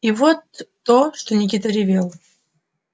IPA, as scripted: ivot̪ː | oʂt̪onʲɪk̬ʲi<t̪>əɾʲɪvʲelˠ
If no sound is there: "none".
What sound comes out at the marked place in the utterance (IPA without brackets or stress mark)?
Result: t̪